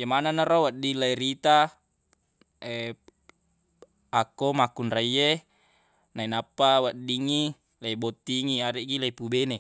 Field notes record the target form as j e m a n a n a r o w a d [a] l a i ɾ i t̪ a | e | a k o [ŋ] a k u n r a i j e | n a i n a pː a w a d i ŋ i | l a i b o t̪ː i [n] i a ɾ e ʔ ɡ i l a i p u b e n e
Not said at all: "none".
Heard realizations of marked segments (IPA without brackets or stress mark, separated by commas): i, m, ŋ